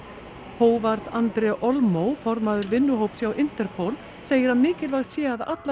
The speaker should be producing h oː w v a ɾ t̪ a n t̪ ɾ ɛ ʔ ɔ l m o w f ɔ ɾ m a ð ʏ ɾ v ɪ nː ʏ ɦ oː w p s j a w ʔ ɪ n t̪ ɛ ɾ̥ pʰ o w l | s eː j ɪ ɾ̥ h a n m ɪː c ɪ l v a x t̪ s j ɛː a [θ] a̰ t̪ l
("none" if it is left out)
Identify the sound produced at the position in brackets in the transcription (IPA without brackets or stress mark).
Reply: ð